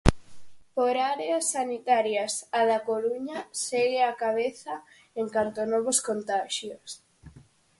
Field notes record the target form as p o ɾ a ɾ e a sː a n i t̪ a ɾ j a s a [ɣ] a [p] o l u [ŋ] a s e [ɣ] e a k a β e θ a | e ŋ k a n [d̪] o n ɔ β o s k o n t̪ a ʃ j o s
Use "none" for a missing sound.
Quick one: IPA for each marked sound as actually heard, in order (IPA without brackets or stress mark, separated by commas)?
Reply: ð, k, ɲ, ɣ, t̪